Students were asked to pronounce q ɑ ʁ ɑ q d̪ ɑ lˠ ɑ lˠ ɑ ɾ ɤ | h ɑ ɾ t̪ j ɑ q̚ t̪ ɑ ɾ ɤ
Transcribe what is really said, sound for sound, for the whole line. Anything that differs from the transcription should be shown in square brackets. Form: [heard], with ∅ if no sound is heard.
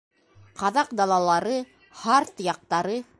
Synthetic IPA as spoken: q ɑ [ð] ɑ q d̪ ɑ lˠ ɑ lˠ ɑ ɾ ɤ | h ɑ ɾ t̪ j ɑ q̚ t̪ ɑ ɾ ɤ